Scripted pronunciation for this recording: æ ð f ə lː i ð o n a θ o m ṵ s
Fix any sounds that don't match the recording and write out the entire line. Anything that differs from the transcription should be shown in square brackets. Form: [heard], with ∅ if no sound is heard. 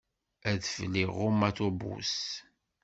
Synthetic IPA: æ ð f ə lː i [ʁ] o [m] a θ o [b] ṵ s